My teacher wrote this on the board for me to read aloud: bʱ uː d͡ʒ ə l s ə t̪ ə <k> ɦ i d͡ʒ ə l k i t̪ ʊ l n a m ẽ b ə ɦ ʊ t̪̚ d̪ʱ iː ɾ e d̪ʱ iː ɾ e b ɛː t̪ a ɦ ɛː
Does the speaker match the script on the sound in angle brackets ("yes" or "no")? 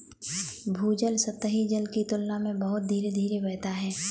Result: no